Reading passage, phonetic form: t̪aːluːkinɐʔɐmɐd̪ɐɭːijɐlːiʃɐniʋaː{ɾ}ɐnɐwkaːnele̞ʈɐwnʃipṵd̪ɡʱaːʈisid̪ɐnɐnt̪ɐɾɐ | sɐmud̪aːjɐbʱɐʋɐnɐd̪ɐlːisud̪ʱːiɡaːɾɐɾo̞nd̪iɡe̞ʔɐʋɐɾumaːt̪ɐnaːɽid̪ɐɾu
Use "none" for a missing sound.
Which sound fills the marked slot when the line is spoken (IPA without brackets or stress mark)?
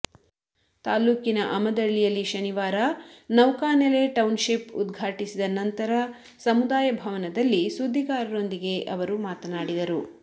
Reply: ɾ